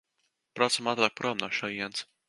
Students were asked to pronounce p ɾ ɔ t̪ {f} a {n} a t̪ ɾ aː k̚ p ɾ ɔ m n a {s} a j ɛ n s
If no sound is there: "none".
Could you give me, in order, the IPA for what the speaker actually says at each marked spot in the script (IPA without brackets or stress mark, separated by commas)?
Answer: s, m, ʃ